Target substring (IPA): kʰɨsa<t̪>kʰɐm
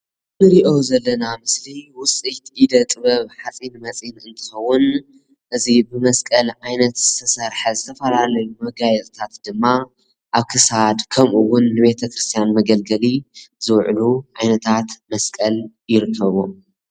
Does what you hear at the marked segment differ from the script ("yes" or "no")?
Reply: yes